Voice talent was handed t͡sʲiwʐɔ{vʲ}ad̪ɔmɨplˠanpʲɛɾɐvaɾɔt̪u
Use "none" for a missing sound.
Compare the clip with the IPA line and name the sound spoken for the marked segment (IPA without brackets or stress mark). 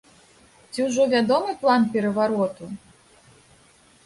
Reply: vʲ